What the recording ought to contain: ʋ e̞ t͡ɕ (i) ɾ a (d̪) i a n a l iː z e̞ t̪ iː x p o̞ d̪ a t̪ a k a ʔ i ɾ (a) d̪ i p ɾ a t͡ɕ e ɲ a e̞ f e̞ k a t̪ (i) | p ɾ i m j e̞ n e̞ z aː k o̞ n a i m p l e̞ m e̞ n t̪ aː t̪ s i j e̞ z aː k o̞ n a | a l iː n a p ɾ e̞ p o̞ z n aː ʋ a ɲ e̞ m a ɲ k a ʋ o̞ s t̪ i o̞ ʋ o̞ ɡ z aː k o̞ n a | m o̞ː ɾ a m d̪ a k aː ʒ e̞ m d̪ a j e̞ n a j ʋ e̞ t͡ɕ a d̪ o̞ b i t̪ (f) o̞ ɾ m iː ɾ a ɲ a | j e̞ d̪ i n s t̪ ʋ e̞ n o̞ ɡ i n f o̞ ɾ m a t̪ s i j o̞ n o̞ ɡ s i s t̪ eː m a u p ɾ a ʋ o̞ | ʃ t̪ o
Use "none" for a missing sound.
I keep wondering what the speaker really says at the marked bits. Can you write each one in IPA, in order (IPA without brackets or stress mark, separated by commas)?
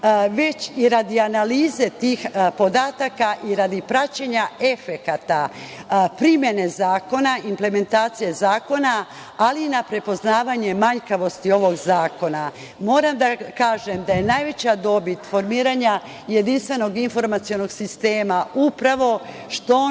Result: i, d̪, a, a, f